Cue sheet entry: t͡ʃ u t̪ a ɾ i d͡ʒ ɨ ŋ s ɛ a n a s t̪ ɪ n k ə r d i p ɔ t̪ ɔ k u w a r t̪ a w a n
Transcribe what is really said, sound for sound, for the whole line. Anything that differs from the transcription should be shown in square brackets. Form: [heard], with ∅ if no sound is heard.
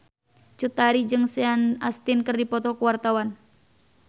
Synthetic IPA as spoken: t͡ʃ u t̪ a ɾ i d͡ʒ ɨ ŋ s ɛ a n a s t̪ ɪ n k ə r d i p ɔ t̪ ɔ k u w a r t̪ a w a n